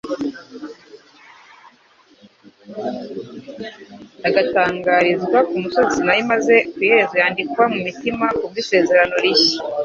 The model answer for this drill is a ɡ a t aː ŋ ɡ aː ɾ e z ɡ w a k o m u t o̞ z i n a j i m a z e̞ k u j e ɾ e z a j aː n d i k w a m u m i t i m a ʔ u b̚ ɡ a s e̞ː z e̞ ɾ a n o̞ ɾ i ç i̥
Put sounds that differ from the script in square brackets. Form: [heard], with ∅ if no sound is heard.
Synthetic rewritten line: a ɡ a t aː ŋ ɡ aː ɾ [i] z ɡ w a k [u] m u [s] o̞ z i n a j i m a z e̞ k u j e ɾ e z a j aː n d i k w a m u m i t i m a [k] u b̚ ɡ [i] s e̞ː z e̞ ɾ a n o̞ ɾ i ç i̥